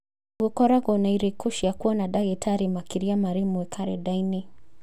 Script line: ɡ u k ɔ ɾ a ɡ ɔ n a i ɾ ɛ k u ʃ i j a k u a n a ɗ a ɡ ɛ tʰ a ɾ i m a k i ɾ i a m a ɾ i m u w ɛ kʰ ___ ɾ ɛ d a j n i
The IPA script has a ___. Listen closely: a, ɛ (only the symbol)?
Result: a